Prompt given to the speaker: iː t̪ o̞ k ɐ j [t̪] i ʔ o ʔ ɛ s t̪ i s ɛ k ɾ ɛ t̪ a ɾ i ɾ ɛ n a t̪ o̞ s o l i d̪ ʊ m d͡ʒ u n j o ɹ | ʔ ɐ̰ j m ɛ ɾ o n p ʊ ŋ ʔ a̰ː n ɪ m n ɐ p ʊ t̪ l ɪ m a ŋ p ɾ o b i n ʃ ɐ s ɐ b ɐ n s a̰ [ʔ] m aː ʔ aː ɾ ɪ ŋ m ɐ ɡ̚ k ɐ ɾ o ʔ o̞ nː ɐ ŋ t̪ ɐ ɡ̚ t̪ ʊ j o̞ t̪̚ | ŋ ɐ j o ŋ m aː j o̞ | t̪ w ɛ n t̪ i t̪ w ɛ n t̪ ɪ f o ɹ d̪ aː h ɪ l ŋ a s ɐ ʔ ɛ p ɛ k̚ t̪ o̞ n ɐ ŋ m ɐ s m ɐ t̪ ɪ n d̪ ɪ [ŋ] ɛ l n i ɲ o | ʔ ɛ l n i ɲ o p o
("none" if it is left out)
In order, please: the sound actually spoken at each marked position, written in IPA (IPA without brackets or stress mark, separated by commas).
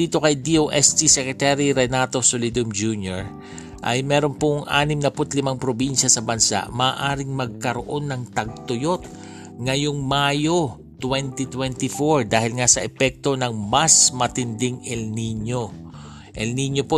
d̪, ʔ, ŋ